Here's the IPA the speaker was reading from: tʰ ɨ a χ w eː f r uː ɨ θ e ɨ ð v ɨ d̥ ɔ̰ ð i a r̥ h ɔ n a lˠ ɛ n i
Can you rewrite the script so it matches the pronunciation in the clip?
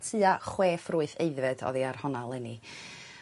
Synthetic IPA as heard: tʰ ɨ a χ w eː f r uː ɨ θ e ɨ ð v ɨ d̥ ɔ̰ ð i a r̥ h ɔ n a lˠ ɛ n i